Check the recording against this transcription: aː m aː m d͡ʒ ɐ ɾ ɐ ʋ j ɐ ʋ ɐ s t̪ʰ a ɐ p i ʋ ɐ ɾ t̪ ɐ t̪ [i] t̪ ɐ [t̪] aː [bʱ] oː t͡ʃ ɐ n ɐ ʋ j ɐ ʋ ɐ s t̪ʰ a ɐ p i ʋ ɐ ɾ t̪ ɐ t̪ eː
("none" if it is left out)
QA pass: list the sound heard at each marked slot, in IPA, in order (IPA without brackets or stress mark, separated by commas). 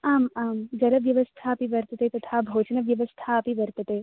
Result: e, t̪ʰ, bʱ